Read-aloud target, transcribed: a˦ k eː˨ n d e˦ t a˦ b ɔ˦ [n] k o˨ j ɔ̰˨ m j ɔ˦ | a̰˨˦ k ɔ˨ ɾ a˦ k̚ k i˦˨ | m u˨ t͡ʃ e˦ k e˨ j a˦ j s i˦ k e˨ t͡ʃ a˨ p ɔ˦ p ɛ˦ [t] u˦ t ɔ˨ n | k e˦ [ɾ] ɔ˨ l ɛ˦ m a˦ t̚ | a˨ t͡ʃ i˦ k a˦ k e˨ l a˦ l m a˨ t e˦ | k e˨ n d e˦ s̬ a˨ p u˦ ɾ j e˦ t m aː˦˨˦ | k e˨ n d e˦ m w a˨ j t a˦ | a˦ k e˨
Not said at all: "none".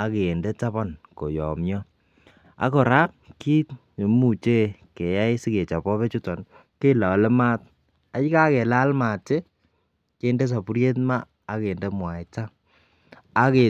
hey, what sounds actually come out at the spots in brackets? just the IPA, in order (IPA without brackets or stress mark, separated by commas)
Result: n, t͡ʃ, l